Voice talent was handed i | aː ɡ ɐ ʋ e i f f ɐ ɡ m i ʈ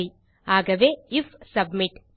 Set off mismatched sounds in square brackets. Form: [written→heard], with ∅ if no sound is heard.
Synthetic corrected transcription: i | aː ɡ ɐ ʋ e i f [f→s] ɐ [ɡ→b] m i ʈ